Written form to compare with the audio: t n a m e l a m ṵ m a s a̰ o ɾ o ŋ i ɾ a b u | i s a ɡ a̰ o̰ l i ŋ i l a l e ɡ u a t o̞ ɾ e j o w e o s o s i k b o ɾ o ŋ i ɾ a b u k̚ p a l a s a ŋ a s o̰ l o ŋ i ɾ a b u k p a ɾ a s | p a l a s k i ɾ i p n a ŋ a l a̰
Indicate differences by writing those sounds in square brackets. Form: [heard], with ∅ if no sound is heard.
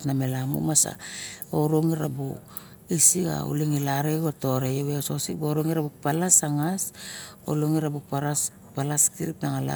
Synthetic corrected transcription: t n a m e l a m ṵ m a s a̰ o ɾ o ŋ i ɾ a b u | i s [i] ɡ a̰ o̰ l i ŋ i l a [ɾ] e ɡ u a t o̞ ɾ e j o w e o s o s i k b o ɾ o ŋ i ɾ a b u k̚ p a l a s a ŋ a s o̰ l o ŋ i ɾ a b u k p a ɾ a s | p a l a s k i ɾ i p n a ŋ a l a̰